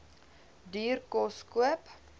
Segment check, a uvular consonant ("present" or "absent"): absent